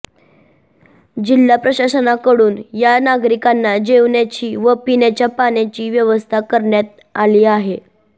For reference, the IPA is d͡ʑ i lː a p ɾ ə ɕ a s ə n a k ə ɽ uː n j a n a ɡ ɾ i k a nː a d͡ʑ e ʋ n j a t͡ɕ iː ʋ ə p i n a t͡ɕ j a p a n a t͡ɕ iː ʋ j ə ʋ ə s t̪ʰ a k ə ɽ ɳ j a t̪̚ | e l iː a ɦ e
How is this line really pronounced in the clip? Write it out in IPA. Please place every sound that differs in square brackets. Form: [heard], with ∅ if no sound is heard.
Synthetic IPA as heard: d͡ʑ i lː a p ɾ ə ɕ a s ə n a k ə ɽ uː n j a n a ɡ ɾ i k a nː a d͡ʑ e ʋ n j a t͡ɕ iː ʋ ə p i n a t͡ɕ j a p a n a t͡ɕ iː ʋ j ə ʋ ə s t̪ʰ a k ə [ɾ] ɳ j a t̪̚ | [a] l iː a ɦ e